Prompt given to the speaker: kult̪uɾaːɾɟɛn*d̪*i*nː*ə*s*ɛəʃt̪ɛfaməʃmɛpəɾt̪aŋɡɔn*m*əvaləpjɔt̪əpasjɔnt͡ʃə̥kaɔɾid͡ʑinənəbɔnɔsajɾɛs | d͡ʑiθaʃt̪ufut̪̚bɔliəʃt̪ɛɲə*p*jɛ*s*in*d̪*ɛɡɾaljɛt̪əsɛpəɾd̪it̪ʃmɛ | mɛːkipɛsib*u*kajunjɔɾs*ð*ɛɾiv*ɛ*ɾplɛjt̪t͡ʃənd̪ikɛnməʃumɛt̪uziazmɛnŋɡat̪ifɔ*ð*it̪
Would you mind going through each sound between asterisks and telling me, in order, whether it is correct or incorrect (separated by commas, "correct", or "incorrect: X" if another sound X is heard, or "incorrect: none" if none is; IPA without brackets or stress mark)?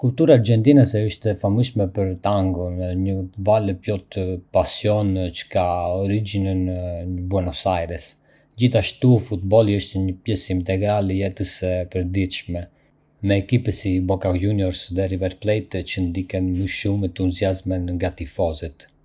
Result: incorrect: t̪, incorrect: n, correct, incorrect: ɲ, correct, correct, incorrect: t̪, incorrect: ɔ, correct, correct, incorrect: z